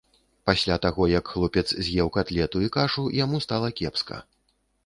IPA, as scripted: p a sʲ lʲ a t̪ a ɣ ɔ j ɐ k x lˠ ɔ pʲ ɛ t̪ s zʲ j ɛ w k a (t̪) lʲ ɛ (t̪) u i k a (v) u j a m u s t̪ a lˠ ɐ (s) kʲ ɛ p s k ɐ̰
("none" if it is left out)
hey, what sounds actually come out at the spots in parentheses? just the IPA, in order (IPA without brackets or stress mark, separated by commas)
t̪, t̪, ʐ, none